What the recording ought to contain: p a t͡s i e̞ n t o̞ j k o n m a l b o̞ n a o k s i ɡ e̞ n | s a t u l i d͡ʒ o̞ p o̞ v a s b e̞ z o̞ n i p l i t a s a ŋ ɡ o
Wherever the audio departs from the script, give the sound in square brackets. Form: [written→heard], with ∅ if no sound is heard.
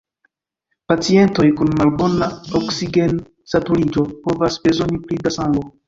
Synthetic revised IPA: p a t͡s i e̞ n t o̞ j k [o→u] n m a l b o̞ n a o k s i ɡ e̞ n | s a t u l i d͡ʒ o̞ p o̞ v a s b e̞ z o̞ n i p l i [t→d] a s a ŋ ɡ o